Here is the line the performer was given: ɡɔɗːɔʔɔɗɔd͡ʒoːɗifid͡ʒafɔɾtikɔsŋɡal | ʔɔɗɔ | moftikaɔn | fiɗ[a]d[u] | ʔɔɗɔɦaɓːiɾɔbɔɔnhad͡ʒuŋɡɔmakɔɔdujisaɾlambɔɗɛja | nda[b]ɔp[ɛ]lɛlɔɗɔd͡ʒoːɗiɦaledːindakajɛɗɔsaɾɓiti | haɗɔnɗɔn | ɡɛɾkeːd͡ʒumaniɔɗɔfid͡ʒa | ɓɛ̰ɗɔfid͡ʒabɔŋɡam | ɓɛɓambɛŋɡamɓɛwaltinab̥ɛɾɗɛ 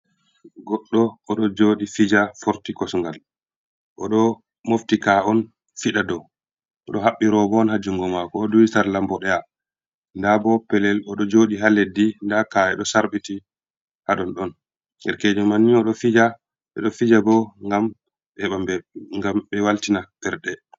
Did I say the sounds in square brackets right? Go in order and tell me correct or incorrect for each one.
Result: correct, incorrect, correct, correct

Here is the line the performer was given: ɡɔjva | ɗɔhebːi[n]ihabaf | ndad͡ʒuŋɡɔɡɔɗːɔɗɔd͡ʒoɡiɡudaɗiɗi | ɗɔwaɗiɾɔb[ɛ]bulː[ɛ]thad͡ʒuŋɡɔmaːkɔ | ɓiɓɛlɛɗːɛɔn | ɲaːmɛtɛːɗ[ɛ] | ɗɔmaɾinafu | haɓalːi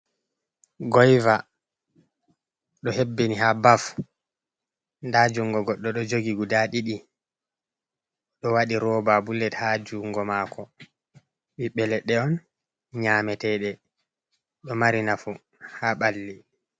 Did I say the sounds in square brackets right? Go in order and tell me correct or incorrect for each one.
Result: correct, incorrect, correct, correct

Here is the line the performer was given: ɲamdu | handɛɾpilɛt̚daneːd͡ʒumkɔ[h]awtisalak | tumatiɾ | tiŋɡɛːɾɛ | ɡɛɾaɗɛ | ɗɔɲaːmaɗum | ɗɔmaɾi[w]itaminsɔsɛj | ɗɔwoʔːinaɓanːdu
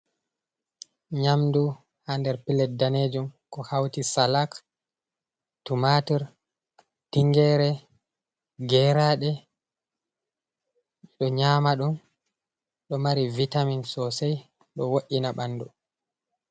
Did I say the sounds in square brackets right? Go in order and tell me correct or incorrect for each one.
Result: correct, incorrect

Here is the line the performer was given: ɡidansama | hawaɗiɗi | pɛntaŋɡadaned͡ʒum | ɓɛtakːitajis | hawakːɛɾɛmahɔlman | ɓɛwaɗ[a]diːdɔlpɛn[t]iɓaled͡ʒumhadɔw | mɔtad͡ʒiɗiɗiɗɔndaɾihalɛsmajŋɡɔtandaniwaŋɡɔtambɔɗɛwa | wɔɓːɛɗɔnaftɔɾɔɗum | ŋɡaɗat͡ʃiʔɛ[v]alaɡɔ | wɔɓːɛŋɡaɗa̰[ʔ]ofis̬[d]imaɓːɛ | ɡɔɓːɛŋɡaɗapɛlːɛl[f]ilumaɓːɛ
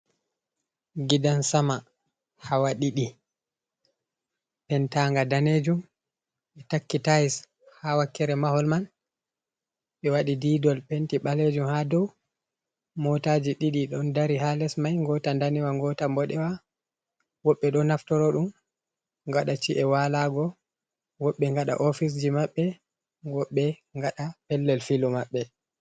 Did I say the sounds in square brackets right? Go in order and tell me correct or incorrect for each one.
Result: incorrect, correct, incorrect, correct, incorrect, correct

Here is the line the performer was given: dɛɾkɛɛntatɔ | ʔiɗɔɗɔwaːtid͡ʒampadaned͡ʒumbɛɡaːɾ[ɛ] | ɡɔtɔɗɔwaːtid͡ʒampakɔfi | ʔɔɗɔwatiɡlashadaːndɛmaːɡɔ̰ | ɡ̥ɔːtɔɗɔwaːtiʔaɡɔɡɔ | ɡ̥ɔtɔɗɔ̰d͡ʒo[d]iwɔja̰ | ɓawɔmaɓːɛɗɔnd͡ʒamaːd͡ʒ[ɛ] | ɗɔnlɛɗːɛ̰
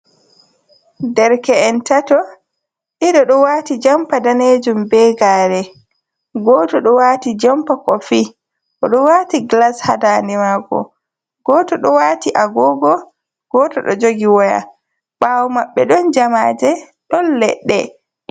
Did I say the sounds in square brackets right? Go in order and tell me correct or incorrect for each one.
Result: correct, incorrect, correct

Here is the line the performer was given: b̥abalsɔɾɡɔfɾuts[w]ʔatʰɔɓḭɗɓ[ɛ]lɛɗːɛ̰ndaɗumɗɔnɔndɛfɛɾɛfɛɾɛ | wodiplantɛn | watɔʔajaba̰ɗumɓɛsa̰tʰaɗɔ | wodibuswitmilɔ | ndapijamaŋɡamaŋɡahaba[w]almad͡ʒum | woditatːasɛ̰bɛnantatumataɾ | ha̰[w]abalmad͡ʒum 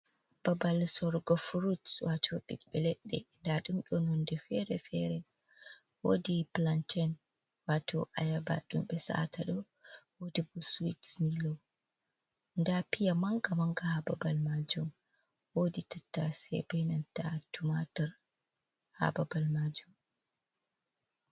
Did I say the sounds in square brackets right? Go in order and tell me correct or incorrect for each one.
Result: correct, correct, incorrect, incorrect

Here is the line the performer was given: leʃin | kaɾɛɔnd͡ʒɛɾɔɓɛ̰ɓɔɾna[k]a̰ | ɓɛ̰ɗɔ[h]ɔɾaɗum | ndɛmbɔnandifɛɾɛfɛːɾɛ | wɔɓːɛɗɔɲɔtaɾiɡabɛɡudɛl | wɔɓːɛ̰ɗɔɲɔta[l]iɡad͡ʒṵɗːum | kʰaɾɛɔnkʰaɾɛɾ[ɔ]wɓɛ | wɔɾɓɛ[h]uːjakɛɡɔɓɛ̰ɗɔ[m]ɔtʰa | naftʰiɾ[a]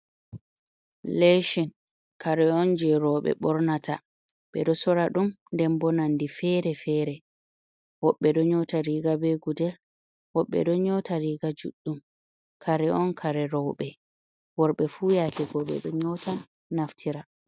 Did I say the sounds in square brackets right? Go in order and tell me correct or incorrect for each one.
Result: incorrect, incorrect, incorrect, correct, incorrect, incorrect, correct

